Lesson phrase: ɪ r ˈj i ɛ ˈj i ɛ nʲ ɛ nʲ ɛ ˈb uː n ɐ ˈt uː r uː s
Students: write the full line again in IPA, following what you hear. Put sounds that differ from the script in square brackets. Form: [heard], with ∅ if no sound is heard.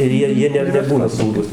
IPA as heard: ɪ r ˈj i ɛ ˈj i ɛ nʲ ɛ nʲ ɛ ˈb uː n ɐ [ˈs] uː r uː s